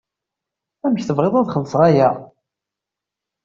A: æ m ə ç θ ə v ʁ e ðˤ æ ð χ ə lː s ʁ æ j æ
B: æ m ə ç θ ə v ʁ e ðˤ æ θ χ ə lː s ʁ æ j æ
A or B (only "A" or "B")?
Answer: A